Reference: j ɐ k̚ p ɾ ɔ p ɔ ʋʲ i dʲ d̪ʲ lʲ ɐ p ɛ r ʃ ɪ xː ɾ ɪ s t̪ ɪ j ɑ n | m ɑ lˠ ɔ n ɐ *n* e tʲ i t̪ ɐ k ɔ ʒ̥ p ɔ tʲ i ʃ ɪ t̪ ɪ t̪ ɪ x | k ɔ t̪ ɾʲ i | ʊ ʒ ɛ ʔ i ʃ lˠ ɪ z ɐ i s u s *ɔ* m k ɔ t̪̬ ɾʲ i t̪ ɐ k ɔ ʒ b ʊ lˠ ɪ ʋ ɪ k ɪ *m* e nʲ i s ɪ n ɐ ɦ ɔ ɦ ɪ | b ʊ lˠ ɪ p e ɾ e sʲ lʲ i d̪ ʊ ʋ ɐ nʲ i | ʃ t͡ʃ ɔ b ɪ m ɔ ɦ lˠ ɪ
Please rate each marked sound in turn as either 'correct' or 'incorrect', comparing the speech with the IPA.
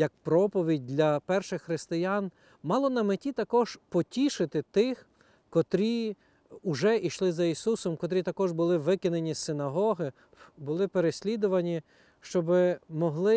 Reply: incorrect, correct, incorrect

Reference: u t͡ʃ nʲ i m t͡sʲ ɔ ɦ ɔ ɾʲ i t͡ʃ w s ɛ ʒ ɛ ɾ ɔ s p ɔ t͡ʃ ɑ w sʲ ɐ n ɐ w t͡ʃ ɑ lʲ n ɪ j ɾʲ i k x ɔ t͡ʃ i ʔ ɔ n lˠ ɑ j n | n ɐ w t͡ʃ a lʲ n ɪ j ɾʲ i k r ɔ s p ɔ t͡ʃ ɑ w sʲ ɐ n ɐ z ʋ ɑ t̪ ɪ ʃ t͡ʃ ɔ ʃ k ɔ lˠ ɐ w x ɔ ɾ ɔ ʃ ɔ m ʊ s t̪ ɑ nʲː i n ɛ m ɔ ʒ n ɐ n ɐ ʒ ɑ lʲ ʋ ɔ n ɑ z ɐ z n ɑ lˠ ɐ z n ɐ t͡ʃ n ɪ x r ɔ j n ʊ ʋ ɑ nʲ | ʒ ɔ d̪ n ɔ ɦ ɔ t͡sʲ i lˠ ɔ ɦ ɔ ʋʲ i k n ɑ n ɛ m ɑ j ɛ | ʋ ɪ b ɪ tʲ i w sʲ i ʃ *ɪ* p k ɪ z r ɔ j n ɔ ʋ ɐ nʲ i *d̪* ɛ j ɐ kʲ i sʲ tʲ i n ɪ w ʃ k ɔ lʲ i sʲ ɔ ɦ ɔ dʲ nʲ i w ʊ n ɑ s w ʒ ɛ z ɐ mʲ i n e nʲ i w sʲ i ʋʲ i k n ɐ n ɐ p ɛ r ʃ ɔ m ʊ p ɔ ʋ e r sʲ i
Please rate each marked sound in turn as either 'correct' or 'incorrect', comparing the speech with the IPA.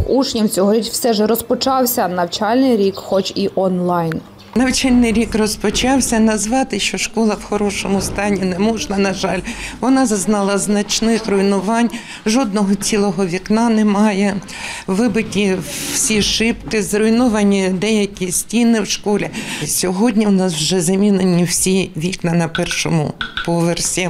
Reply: correct, correct

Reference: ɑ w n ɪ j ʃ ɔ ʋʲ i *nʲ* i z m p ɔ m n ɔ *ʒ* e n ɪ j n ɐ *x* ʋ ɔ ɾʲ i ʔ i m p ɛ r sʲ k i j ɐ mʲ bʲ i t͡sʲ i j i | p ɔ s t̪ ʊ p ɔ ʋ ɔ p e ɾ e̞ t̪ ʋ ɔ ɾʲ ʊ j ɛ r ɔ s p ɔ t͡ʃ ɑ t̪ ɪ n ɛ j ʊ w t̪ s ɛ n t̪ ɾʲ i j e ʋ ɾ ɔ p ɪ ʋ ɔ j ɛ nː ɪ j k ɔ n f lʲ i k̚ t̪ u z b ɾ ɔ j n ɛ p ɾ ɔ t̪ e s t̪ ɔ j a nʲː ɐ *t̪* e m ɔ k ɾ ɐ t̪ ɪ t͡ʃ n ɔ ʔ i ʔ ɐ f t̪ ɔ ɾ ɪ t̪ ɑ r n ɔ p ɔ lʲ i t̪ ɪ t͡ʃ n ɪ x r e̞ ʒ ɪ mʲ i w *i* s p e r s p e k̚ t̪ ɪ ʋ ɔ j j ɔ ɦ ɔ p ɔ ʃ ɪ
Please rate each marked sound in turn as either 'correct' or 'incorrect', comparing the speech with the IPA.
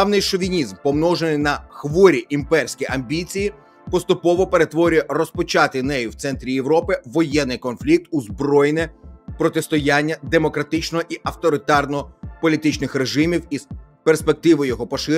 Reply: correct, correct, correct, incorrect, correct

